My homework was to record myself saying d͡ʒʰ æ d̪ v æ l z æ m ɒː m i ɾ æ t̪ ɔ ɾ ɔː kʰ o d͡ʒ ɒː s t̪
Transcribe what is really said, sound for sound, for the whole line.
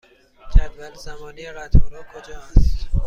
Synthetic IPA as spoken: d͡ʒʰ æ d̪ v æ l z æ m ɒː n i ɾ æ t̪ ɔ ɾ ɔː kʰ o d͡ʒ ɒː s t̪